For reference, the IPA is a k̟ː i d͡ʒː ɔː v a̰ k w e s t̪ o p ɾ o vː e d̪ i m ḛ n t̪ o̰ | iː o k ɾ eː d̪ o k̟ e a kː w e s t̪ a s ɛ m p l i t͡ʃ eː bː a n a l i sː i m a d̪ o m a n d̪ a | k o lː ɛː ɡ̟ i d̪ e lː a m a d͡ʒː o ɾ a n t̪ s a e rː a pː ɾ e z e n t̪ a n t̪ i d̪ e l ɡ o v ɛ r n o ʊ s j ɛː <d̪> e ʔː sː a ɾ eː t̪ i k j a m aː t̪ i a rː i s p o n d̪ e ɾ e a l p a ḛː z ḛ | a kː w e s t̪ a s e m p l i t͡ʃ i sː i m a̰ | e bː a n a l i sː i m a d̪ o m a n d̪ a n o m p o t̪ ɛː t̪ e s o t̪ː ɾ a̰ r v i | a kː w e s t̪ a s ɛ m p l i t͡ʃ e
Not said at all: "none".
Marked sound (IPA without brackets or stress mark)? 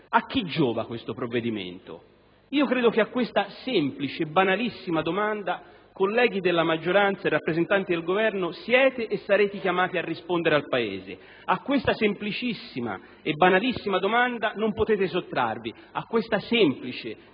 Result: t̪